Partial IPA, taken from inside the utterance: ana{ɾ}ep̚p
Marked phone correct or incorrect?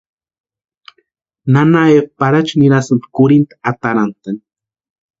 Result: incorrect